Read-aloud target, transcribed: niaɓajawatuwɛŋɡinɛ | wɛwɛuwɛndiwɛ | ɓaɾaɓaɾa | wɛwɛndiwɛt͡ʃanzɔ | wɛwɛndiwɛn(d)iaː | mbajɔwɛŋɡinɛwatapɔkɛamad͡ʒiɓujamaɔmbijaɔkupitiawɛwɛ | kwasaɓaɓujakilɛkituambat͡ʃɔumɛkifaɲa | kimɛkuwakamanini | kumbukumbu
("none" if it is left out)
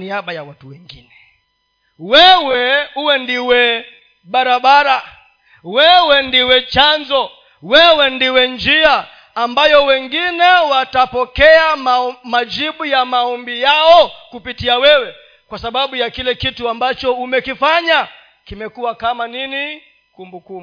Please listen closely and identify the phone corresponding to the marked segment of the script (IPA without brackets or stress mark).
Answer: d͡ʒ